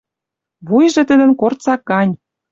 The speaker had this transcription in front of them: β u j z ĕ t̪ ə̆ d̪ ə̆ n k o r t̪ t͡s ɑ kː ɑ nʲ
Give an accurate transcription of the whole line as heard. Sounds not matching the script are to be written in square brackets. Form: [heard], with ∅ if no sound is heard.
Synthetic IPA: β u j [ʒ] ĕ t̪ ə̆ d̪ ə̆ n k o r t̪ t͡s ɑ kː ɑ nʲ